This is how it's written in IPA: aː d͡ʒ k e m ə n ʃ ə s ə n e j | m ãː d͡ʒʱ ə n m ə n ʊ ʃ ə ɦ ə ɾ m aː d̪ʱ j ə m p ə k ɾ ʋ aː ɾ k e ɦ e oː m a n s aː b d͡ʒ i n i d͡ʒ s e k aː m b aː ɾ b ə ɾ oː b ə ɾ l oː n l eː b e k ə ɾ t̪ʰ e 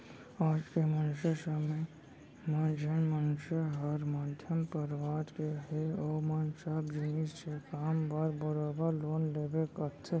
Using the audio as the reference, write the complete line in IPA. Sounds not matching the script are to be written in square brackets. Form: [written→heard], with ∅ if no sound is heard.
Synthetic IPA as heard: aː d͡ʒ k e m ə n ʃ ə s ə [n→m] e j | m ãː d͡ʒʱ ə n m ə n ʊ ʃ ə ɦ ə ɾ m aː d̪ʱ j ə m p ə [k→∅] ɾ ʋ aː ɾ k e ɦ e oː m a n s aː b d͡ʒ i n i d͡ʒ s e k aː m b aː ɾ b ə ɾ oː b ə ɾ l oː n l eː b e k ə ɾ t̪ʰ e